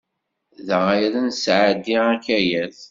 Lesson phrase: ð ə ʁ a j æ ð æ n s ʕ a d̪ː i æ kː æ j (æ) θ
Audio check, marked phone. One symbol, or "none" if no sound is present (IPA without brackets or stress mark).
æ